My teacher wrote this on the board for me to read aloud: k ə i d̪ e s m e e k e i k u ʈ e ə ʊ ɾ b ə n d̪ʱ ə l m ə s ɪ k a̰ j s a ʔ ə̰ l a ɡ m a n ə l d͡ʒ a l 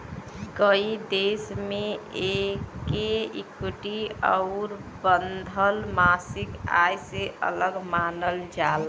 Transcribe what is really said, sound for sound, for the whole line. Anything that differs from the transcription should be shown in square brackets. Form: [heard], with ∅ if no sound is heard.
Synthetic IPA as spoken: k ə i d̪ e s m e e k e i k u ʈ [i] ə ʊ ɾ b ə n d̪ʱ ə l m [a] s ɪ k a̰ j s [e] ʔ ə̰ l [ə] ɡ m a n ə l d͡ʒ a l

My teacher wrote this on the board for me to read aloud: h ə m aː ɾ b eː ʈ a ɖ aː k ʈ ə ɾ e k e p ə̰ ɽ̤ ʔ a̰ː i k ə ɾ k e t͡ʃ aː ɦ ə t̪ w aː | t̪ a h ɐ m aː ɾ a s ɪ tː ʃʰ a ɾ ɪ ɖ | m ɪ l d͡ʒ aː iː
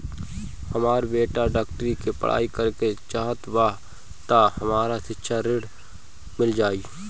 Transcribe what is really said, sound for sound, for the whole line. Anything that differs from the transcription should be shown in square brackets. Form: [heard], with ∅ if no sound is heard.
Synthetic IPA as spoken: h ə m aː ɾ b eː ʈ a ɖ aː k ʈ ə ɾ [i] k e p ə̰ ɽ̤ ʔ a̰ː i k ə ɾ k e t͡ʃ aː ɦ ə t̪ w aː | t̪ a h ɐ m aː ɾ a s ɪ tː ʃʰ a ɾ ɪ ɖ | m ɪ l d͡ʒ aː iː

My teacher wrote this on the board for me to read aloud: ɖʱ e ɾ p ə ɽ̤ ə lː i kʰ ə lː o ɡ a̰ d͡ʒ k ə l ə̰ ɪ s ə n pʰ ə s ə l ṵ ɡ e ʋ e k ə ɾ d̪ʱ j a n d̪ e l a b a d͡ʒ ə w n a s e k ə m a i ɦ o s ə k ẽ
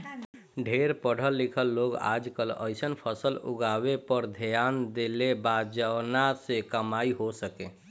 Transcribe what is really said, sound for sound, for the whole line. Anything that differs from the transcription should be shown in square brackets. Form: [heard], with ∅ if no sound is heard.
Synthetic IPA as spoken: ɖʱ e ɾ p ə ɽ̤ ə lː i kʰ ə lː o ɡ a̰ d͡ʒ k ə l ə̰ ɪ s ə n pʰ ə s ə l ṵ ɡ [a] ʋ e [p] ə ɾ d̪ʱ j a n d̪ e l [e] b a d͡ʒ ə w n a s e k ə m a i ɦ o s ə k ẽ

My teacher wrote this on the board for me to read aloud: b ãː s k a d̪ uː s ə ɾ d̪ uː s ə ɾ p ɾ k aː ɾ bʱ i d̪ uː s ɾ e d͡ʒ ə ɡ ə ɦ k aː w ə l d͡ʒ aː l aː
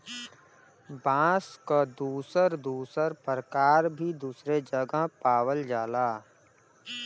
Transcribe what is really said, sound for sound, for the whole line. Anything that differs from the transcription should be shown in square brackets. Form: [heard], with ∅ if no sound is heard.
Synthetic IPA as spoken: b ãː s k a d̪ uː s ə ɾ d̪ uː s ə ɾ p ɾ k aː ɾ bʱ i d̪ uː s ɾ e d͡ʒ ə ɡ ə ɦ [p] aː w ə l d͡ʒ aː l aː

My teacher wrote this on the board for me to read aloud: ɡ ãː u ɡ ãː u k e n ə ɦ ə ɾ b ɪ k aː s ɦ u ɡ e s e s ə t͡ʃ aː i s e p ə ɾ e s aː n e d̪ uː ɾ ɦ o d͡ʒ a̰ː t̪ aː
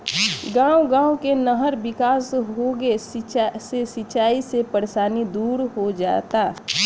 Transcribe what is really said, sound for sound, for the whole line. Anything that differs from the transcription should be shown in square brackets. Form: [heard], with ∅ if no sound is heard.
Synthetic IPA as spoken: ɡ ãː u ɡ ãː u k e n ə ɦ ə ɾ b ɪ k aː s ɦ [o] ɡ e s e s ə t͡ʃ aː i s e p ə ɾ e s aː n [i] d̪ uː ɾ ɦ o d͡ʒ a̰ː t̪ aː

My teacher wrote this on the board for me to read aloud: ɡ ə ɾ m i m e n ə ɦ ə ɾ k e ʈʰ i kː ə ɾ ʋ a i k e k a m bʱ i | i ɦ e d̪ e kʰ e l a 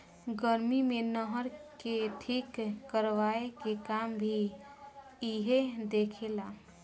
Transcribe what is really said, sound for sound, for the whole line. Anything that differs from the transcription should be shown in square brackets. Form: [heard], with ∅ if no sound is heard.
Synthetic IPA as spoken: ɡ ə ɾ m i m e n ə ɦ ə ɾ k e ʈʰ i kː ə ɾ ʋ a [e] k e k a m bʱ i | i ɦ e d̪ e kʰ e l a

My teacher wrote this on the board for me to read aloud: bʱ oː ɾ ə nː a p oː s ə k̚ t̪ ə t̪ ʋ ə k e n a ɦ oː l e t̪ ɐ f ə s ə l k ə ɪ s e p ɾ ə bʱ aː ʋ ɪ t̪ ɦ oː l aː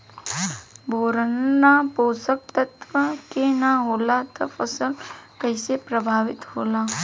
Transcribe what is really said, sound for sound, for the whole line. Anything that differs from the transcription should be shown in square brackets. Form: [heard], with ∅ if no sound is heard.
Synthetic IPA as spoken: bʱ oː ɾ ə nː a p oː s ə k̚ t̪ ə t̪ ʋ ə k e n a ɦ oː l [a] t̪ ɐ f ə s ə l k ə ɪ s e p ɾ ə bʱ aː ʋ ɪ t̪ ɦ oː l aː

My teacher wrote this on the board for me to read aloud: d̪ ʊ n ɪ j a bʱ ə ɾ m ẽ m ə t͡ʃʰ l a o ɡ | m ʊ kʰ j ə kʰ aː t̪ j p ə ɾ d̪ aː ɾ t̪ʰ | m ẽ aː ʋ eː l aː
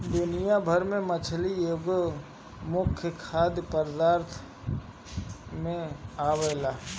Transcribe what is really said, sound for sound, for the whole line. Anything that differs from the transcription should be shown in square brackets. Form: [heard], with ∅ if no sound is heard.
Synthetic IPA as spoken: d̪ ʊ n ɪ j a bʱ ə ɾ m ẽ m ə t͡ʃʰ l [i] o ɡ | m ʊ kʰ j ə kʰ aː [d̪] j p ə ɾ d̪ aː ɾ t̪ʰ | m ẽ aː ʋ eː l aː

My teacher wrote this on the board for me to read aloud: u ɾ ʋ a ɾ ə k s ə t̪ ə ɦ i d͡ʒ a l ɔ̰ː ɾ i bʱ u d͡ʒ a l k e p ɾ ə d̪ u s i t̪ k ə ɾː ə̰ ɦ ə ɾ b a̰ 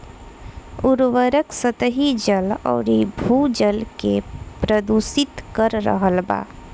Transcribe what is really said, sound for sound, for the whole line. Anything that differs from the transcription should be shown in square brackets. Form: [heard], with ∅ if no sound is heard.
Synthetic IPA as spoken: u ɾ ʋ [ə] ɾ ə k s ə t̪ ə ɦ i d͡ʒ [ə] l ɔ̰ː ɾ i bʱ u d͡ʒ [ə] l k e p ɾ ə d̪ u s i t̪ k ə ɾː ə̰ ɦ ə [l] b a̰

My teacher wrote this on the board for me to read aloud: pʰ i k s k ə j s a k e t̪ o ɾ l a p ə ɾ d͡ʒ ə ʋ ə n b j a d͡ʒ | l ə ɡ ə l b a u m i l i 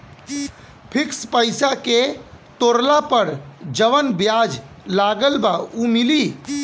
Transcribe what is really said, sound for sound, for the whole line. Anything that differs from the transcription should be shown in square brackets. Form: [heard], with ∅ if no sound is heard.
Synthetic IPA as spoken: pʰ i k s [p] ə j s a k e t̪ o ɾ l a p ə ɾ d͡ʒ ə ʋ ə n b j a d͡ʒ | l [a] ɡ ə l b a u m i l i

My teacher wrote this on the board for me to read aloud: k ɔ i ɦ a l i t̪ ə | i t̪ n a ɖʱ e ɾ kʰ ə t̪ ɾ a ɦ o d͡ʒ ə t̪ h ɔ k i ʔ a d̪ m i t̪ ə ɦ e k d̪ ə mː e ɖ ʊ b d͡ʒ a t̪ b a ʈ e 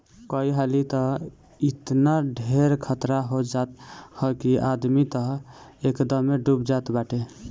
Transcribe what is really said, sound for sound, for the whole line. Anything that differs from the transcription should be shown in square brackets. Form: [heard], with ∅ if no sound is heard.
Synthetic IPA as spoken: k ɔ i ɦ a l i t̪ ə | i t̪ n a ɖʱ e ɾ kʰ ə t̪ ɾ a ɦ o d͡ʒ [a] t̪ h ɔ k i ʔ a d̪ m i t̪ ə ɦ e k d̪ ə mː e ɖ [u] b d͡ʒ a t̪ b a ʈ e

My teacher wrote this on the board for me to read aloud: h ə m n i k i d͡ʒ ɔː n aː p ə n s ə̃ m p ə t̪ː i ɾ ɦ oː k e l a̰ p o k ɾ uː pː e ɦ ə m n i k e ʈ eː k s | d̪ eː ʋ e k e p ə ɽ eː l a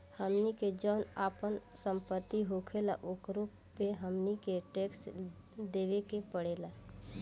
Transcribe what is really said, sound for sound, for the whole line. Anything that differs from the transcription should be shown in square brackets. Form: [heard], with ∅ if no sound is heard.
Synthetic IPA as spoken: h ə m n i k [e] d͡ʒ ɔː n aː p ə n s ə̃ m p ə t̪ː i [∅] ɦ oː [kʰ] e l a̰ [ʔ] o k ɾ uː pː e ɦ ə m n i k e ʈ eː k s | d̪ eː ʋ e k e p ə ɽ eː l a

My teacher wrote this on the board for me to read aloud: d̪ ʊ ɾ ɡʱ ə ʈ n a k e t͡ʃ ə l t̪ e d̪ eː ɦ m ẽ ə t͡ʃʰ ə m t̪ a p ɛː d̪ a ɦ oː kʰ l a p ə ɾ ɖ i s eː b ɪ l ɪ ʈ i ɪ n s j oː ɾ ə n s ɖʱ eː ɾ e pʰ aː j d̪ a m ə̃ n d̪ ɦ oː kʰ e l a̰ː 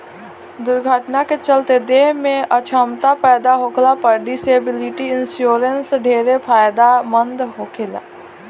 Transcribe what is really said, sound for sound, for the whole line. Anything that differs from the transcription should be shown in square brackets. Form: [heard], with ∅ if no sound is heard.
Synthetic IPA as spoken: d̪ ʊ ɾ ɡʱ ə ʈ n a k e t͡ʃ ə l t̪ e d̪ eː ɦ m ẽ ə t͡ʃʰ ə m t̪ a p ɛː d̪ a ɦ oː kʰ l a p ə ɾ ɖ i s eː b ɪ l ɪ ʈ i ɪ n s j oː ɾ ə n s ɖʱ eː ɾ e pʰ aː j d̪ a m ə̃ n d̪ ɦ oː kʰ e l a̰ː

